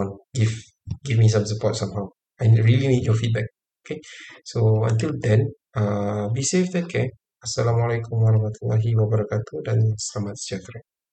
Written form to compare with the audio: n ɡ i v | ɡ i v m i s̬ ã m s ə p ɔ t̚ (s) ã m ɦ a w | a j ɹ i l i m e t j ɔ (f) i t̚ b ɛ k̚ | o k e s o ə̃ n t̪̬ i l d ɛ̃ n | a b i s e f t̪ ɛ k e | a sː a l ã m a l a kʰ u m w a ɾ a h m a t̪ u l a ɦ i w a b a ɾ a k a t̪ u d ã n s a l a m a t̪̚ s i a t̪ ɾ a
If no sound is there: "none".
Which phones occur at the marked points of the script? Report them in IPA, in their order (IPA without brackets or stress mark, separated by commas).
s, f